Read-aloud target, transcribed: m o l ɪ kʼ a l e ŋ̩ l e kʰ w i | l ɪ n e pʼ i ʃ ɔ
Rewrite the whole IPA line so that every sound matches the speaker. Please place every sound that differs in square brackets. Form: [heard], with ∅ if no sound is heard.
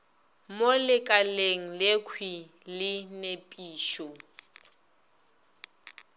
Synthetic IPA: m o l ɪ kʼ a l e ŋ̩ l e kʰ w i | l ɪ n e pʼ [iː] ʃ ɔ